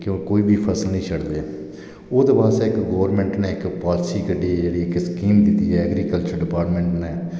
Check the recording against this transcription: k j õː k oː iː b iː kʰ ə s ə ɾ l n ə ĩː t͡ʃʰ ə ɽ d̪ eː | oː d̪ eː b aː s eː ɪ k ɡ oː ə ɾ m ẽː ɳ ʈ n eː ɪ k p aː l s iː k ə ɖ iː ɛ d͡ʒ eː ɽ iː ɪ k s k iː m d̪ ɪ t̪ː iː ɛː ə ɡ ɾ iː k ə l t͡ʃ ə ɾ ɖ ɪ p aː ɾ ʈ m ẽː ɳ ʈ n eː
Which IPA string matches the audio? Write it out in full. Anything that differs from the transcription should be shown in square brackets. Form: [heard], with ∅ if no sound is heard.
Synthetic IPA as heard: k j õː k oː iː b iː [pʰ] ə s ə [∅] l n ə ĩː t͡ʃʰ ə ɽ d̪ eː | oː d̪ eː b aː s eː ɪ k ɡ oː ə ɾ m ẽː ɳ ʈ n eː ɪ k p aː l s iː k ə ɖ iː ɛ d͡ʒ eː ɽ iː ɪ k s k iː m d̪ ɪ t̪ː iː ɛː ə ɡ ɾ iː k ə l t͡ʃ ə ɾ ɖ ɪ p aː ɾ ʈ m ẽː ɳ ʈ n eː

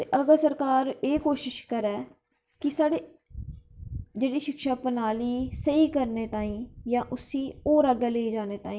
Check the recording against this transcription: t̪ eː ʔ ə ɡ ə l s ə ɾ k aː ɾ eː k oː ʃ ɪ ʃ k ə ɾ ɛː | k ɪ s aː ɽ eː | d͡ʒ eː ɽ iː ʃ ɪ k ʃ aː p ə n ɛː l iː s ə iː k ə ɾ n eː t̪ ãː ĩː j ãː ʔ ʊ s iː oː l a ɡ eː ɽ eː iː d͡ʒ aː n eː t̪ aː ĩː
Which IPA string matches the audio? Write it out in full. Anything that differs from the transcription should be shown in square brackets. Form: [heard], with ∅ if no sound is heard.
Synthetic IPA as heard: t̪ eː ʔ ə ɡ ə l s ə ɾ k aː ɾ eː k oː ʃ ɪ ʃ k ə ɾ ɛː | k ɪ s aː ɽ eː | d͡ʒ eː ɽ iː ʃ ɪ k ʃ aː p ə n [aː] l iː s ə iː k ə ɾ n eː t̪ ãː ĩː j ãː ʔ ʊ s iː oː [ɾ] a ɡ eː [l] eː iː d͡ʒ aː n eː t̪ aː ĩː

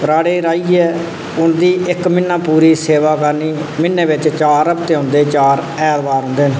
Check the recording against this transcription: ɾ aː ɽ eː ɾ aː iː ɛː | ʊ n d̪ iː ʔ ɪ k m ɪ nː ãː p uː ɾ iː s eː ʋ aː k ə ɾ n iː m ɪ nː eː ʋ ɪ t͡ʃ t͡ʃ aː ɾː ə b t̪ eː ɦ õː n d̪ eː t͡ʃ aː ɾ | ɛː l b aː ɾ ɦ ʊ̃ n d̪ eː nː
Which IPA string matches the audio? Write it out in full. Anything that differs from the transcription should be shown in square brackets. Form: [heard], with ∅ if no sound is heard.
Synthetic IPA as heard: ɾ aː ɽ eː ɾ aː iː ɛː | ʊ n d̪ iː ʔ ɪ k m ɪ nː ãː p uː ɾ iː s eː ʋ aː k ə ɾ n iː m ɪ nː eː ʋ ɪ t͡ʃ t͡ʃ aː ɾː ə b t̪ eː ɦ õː n d̪ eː t͡ʃ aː ɾ | ɛː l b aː ɾ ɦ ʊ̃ n d̪ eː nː

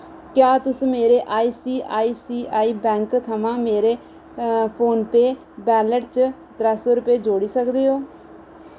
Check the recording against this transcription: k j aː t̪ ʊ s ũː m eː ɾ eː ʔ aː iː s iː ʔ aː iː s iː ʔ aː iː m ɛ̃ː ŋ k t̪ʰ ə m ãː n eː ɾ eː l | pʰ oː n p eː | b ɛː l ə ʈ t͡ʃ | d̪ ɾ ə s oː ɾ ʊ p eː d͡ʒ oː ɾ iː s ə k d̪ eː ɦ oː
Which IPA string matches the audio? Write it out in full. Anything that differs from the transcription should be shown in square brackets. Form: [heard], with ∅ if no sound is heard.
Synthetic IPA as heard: k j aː t̪ ʊ s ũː m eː ɾ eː ʔ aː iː s iː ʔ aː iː s iː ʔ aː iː [b] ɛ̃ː ŋ k t̪ʰ ə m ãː [m] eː ɾ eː [∅] | pʰ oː n p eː | b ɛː l ə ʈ t͡ʃ | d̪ ɾ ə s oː ɾ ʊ p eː d͡ʒ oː [ɽ] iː s ə k d̪ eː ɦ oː

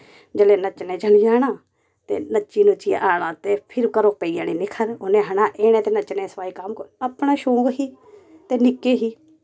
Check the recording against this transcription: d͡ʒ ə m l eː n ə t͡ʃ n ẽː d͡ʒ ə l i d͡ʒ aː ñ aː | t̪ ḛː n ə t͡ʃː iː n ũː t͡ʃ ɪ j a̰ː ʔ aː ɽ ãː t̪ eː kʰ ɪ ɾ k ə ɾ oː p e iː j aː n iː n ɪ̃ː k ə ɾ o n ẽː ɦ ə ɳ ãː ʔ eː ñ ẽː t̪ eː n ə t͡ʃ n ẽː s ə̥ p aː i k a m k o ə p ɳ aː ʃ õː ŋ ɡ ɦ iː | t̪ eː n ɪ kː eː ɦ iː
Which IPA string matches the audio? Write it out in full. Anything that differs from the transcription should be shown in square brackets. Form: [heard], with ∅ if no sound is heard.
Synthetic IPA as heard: d͡ʒ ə [∅] l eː n ə t͡ʃ n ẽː d͡ʒ ə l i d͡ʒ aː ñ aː | t̪ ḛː n ə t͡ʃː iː n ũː t͡ʃ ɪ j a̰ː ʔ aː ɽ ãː t̪ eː [pʰ] ɪ ɾ k ə ɾ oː p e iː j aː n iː n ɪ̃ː [kʰ] ə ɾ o n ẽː ɦ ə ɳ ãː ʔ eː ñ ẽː t̪ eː n ə t͡ʃ n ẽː s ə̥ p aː i k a m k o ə p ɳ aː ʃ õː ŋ ɡ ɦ iː | t̪ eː n ɪ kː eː ɦ iː

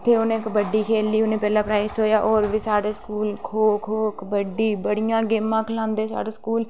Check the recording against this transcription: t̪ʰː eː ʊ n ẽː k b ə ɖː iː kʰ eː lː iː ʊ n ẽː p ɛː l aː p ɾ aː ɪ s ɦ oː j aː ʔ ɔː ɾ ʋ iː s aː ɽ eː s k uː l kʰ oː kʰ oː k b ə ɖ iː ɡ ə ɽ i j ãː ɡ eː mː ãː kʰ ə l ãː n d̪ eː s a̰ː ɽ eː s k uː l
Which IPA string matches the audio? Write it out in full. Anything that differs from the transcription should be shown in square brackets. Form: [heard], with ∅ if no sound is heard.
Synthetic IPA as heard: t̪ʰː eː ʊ n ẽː k b ə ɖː iː kʰ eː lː iː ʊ n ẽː p ɛː l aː p ɾ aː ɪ s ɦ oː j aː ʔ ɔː ɾ ʋ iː s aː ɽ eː s k uː l kʰ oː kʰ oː k b ə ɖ iː [b] ə ɽ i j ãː ɡ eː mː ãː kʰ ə l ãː n d̪ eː s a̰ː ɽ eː s k uː l

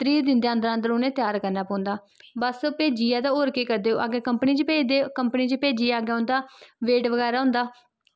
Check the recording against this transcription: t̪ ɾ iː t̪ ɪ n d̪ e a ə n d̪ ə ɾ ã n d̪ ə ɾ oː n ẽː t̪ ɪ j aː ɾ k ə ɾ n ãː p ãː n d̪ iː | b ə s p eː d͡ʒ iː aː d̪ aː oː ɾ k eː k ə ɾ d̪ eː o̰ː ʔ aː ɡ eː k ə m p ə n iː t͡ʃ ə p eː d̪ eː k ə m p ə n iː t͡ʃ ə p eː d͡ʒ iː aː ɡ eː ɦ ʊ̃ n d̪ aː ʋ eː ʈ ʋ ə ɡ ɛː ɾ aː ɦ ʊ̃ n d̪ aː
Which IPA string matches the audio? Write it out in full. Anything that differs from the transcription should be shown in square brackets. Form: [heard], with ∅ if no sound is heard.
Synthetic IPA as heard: t̪ ɾ iː [d̪] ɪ n d̪ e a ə n d̪ ə ɾ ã n d̪ ə ɾ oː n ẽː t̪ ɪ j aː ɾ k ə ɾ n [aː] p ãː n d̪ [aː] | b ə s p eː d͡ʒ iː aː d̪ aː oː ɾ k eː k ə ɾ d̪ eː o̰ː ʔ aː ɡ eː k ə m p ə n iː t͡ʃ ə p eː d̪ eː k ə m p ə n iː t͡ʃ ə p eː d͡ʒ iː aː ɡ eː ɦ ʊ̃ n d̪ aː ʋ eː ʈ ʋ ə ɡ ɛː ɾ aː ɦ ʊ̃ n d̪ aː

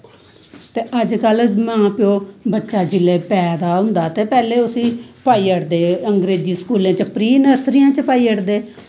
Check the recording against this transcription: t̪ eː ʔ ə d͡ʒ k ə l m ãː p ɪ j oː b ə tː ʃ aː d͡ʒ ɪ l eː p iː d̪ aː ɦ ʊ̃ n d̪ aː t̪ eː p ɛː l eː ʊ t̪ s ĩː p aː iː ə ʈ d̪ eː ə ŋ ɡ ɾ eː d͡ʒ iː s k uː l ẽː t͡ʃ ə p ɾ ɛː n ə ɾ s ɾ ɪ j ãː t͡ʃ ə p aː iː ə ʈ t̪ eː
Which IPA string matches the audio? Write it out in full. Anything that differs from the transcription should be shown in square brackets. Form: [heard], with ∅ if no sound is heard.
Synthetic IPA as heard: t̪ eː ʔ ə d͡ʒ k ə l m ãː p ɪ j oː b ə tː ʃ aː d͡ʒ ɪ l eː p [ɛː] d̪ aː ɦ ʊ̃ n d̪ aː t̪ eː p ɛː l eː ʊ [∅] s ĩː p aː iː ə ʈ d̪ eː ə ŋ ɡ ɾ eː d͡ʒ iː s k uː l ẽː t͡ʃ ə p ɾ [iː] n ə ɾ s ɾ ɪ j ãː t͡ʃ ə p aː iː ə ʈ [d̪] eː

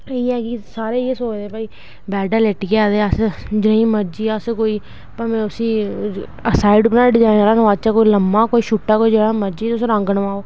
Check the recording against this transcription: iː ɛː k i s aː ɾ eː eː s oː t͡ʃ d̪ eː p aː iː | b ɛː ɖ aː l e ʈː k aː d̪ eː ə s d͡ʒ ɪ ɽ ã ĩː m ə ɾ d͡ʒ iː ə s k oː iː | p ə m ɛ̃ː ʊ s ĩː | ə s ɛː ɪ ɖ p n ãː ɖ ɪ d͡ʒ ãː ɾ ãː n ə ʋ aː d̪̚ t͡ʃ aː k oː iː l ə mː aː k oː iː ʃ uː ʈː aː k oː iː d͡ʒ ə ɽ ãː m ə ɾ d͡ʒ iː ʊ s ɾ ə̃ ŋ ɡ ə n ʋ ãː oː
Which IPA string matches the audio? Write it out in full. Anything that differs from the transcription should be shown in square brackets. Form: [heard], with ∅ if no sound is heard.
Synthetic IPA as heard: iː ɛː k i s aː ɾ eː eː s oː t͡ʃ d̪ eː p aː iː | b ɛː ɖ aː l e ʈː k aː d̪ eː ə s d͡ʒ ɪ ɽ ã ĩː m ə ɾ d͡ʒ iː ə s k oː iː | p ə m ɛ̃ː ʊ s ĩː | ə s [aː] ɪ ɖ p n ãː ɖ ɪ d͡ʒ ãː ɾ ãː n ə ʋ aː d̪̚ t͡ʃ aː k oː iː l ə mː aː k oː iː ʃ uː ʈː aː k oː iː d͡ʒ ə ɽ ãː m ə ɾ d͡ʒ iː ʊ s ɾ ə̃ ŋ ɡ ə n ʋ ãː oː

